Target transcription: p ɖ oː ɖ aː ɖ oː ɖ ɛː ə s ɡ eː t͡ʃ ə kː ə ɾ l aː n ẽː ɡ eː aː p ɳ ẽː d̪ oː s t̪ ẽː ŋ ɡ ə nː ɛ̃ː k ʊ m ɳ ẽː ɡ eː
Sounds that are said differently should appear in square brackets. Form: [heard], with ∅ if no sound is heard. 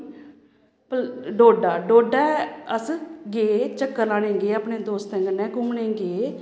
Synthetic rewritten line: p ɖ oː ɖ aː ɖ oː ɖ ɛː ə s ɡ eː t͡ʃ ə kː ə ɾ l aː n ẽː ɡ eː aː p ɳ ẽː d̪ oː s t̪ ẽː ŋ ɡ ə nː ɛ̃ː k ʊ m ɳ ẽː ɡ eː